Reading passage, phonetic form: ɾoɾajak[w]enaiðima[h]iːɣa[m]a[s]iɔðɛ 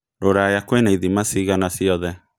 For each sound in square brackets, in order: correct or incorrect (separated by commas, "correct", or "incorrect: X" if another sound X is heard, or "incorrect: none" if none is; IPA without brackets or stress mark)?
correct, incorrect: s, incorrect: n, correct